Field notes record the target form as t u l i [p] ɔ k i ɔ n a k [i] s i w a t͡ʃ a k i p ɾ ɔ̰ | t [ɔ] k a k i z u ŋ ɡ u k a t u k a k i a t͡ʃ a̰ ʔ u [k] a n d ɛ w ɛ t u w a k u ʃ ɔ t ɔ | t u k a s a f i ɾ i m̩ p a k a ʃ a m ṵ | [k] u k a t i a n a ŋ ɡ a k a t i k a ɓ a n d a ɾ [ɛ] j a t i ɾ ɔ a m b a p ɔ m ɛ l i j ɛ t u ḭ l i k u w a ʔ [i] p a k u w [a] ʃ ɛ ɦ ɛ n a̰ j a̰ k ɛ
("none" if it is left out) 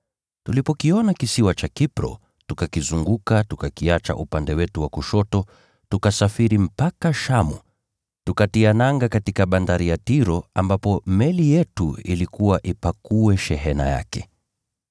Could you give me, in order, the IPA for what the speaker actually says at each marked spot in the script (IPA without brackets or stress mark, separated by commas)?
p, i, u, p, t, i, i, ɛ